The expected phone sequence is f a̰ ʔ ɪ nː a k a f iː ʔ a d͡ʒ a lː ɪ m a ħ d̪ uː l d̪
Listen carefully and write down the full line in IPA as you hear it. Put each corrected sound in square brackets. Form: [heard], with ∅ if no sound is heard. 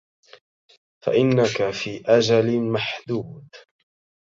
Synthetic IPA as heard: f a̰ ʔ ɪ nː a k a f iː ʔ a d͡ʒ a [l] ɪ m a ħ d̪ uː [∅] d̪

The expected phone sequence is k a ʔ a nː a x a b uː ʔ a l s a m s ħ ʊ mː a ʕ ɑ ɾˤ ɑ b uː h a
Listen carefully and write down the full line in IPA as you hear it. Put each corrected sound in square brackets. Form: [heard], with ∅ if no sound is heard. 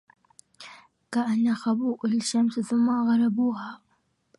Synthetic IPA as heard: k a ʔ a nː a x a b uː ʔ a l [ʃ] a m s [θ] ʊ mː a [ɣ] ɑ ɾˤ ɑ b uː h a

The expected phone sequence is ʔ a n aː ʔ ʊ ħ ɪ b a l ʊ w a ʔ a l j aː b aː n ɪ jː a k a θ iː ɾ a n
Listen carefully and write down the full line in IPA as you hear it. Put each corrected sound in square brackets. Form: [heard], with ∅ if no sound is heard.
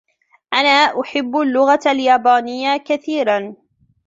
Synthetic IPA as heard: ʔ a n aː ʔ ʊ ħ ɪ [bː] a [lː] ʊ [ɣ] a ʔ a l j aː b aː n ɪ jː a k a θ iː ɾ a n

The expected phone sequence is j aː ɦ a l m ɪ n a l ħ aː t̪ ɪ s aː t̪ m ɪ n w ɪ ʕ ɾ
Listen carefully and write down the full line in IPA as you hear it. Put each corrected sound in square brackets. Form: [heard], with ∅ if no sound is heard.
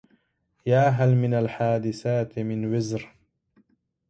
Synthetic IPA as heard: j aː ɦ a l m ɪ n a l ħ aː [d̪] ɪ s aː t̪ m ɪ n w ɪ [z] ɾ

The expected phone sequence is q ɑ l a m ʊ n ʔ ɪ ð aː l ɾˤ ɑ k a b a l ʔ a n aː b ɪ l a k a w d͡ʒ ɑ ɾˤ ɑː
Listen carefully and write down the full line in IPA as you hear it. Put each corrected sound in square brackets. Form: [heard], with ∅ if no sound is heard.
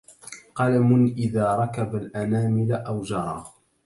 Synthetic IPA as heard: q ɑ l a m ʊ n ʔ ɪ ð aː [∅] ɾˤ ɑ k a b a l ʔ a n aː [m] ɪ l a [ʔ] a w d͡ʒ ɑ ɾˤ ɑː

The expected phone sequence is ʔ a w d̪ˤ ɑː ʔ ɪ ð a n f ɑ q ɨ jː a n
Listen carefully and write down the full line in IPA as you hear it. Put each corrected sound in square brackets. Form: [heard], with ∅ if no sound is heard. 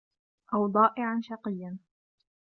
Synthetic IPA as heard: ʔ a w d̪ˤ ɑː ʔ ɪ [ʕ] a n [ʃ] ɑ q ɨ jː a n

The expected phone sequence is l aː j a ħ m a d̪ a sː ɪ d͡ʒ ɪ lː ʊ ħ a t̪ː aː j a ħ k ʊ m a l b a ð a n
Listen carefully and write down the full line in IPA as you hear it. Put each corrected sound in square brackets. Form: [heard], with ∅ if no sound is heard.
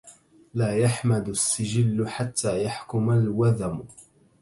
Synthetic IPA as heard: l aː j a ħ m a d̪ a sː ɪ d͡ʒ ɪ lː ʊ ħ a t̪ː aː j a ħ k ʊ m a l [w] a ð a [m]

